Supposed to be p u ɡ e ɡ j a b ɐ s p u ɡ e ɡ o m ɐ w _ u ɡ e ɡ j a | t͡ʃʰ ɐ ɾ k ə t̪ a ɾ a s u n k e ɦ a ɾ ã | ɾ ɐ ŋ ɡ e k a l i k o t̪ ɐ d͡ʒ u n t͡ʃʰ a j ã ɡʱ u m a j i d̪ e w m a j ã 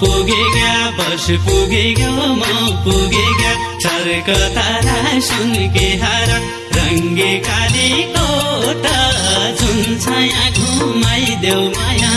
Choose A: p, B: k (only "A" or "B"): A